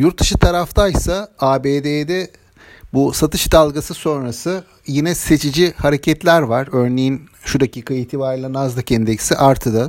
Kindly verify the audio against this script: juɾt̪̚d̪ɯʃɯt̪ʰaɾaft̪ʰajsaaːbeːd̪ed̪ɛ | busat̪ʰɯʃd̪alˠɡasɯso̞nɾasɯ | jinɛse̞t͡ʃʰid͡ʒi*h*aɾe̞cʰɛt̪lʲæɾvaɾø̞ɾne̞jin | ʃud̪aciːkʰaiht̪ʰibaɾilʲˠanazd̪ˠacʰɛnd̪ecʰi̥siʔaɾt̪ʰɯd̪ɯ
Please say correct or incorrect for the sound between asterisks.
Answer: correct